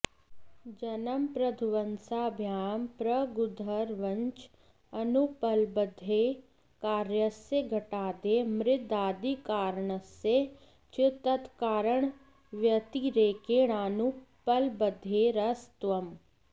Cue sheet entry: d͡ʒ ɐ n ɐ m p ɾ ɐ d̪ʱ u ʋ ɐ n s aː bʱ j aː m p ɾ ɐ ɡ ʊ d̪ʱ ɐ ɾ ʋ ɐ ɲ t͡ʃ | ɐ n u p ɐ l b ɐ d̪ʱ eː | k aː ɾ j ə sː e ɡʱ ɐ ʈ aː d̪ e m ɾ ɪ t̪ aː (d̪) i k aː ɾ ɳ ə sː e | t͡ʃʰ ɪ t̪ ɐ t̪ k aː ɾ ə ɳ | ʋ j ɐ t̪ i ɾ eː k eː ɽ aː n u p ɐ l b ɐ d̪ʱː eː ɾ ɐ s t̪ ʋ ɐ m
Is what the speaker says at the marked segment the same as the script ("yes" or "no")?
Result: yes